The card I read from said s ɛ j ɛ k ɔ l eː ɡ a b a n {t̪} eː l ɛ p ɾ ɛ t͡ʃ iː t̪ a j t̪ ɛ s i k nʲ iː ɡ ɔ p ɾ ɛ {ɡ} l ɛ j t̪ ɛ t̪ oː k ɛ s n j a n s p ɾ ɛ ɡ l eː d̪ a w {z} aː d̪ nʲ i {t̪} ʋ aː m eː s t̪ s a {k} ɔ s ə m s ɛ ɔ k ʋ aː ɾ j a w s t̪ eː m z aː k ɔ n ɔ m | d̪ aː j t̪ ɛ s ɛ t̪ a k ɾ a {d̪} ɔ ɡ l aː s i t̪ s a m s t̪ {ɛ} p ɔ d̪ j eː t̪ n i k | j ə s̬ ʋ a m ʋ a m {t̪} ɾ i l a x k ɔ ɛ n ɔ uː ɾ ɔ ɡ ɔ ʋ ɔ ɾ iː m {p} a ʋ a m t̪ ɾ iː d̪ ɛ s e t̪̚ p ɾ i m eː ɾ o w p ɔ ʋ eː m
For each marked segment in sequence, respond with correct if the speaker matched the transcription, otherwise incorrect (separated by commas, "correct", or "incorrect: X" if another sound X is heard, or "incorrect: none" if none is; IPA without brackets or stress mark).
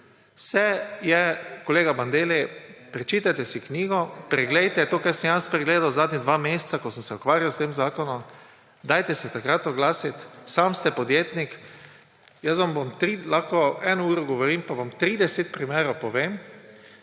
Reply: incorrect: d̪, correct, correct, incorrect: d̪, correct, incorrect: t̪, correct, correct, correct